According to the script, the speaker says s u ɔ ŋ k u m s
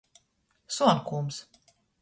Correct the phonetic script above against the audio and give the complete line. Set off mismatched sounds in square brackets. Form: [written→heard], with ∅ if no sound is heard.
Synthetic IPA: s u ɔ [ŋ→n] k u m s